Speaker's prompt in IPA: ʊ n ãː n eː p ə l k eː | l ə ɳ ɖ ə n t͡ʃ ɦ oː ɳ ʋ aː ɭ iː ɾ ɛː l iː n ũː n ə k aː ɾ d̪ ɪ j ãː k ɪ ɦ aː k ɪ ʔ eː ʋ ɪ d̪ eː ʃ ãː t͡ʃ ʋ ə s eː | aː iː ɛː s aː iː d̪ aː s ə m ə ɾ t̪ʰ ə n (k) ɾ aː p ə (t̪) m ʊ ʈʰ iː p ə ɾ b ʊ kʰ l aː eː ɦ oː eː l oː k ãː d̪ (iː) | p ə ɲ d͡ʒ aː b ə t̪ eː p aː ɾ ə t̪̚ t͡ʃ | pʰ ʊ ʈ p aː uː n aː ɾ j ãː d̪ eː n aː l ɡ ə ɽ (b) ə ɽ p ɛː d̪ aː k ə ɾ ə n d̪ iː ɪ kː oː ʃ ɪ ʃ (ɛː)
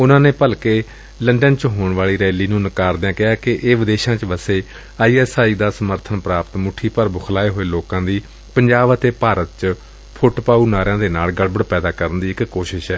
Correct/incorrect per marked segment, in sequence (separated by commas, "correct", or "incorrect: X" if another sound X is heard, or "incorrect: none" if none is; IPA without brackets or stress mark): incorrect: p, correct, correct, correct, correct